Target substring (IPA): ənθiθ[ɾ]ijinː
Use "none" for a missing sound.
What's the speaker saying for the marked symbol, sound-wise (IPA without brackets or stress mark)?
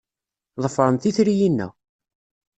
ɾ